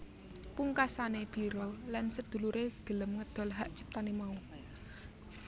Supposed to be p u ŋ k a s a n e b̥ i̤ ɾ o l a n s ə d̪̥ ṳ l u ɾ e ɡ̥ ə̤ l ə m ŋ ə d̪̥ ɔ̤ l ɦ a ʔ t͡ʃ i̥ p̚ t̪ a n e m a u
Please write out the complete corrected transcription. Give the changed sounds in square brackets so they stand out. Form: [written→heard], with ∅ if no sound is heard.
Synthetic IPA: p u ŋ k a s a n e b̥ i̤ ɾ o l a n s ə d̪̥ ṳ l u ɾ e ɡ̥ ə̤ l ə m ŋ ə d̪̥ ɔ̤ l ɦ a ʔ t͡ʃ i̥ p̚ t̪ a n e m a u